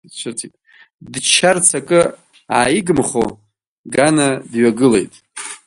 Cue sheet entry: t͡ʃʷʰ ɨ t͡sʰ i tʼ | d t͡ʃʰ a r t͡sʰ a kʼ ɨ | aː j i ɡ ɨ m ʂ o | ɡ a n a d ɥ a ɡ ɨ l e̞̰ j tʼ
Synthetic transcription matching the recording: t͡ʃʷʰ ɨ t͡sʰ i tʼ | d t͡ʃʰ a r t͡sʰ a kʼ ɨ | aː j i ɡ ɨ m χ o | ɡ a n a d ɥ a ɡ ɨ l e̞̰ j tʼ